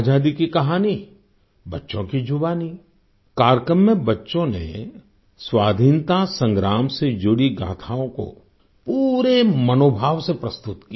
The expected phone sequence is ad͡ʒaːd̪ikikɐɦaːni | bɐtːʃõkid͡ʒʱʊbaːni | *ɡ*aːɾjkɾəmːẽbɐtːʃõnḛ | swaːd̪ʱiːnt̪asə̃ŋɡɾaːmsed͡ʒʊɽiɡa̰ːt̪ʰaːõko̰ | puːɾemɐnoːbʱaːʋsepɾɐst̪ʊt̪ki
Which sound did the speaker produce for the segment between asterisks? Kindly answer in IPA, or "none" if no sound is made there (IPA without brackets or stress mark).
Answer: k